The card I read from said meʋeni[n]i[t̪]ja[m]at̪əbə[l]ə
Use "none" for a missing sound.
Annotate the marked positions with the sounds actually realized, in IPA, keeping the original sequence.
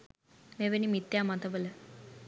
m, t̪, m, l

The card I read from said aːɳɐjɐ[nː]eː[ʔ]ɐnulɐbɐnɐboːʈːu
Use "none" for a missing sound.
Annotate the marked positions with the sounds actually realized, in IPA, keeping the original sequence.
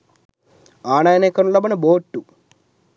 n, k

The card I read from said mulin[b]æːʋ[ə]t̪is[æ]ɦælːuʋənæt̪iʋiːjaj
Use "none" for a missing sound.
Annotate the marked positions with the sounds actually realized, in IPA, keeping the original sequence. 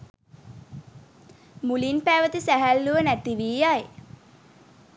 p, ə, æ

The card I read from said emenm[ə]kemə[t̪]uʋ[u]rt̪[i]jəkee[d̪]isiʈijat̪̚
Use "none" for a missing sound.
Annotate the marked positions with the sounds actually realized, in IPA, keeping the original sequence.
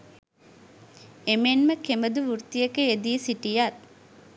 ə, d̪, u, i, d̪

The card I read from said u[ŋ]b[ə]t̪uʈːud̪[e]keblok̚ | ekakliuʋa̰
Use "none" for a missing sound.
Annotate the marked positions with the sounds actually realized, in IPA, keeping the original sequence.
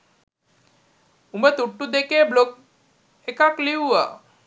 m, ə, e

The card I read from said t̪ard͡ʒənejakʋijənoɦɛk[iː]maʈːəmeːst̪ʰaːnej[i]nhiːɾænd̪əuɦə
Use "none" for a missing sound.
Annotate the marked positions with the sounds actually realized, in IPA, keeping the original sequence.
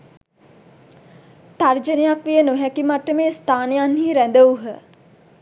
i, a

